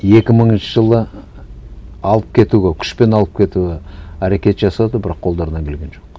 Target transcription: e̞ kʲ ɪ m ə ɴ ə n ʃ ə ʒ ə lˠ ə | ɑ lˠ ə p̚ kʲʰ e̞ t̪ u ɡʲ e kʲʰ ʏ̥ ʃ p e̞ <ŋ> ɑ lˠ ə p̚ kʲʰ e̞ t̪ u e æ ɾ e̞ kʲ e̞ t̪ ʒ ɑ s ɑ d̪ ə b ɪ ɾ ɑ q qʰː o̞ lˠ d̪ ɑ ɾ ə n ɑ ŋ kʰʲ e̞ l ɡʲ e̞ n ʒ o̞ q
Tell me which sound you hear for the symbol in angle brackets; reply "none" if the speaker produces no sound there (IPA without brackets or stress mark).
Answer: n